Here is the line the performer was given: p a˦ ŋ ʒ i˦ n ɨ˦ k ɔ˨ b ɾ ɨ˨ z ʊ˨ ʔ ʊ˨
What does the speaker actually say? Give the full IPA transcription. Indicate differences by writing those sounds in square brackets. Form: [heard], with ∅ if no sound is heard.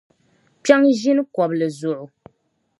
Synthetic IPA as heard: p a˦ ŋ ʒ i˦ n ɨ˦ k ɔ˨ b [l] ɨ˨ z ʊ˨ ʔ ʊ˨